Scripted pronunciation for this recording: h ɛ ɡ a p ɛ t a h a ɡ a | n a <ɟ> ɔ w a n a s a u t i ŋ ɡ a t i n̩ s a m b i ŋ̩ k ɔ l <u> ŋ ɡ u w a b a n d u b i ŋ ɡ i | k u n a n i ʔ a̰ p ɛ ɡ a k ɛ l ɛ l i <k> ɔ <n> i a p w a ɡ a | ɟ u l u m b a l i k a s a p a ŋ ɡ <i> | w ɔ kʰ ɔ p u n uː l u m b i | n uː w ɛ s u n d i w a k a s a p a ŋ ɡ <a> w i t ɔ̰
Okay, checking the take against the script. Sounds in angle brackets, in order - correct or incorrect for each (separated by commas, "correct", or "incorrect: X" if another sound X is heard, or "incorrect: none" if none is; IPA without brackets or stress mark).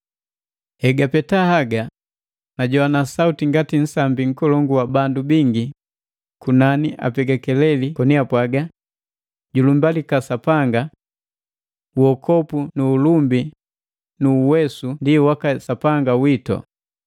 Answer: correct, incorrect: ɔ, correct, correct, incorrect: a, correct